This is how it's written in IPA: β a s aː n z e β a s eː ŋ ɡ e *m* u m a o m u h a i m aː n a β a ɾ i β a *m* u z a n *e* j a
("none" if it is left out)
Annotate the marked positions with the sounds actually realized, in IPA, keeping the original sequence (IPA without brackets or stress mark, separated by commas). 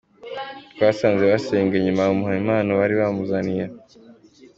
ɲ, m, i